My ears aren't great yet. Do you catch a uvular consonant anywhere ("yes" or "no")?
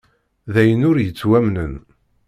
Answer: no